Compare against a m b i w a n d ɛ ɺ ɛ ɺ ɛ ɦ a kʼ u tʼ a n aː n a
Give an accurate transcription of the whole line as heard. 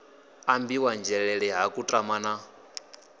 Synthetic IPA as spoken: a m b i w a n d͡ʒ ɛ ɺ ɛ ɺ ɛ ɦ a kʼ u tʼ a m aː n a

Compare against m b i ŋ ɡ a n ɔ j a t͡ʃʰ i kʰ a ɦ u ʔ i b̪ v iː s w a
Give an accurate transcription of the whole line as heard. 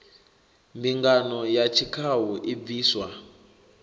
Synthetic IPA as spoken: m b i ŋ ɡ a n ɔ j a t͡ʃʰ i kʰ a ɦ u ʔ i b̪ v iː s w a

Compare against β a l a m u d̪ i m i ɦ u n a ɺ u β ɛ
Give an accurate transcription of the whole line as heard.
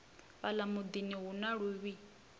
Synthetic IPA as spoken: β a l a m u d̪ i n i ɦ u n a ɺ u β i

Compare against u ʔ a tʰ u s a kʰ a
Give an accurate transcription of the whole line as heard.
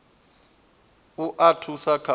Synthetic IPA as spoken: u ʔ a tʰ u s a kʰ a

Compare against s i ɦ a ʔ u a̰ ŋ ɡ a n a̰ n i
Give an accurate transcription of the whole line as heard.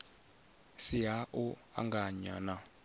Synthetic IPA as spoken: s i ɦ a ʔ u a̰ ŋ ɡ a ɲ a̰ n a

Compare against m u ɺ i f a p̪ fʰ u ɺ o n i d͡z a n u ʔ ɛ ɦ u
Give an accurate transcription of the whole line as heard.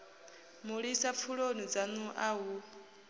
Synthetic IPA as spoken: m u ɺ i s a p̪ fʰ u ɺ o n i d͡z a n u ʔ a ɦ u

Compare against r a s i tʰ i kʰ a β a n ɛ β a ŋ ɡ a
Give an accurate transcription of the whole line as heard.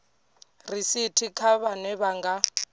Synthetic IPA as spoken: r i s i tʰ i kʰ a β a n ɛ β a ŋ ɡ a

